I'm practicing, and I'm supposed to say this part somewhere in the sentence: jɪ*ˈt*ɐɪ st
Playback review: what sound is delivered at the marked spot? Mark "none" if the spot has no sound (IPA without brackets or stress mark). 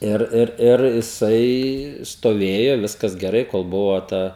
s